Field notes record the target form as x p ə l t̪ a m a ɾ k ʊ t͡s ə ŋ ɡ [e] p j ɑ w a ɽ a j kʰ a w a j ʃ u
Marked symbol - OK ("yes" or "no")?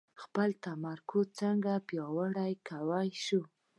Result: no